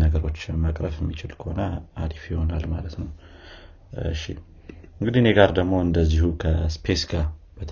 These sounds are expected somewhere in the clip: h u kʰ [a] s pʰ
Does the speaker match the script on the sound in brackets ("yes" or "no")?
no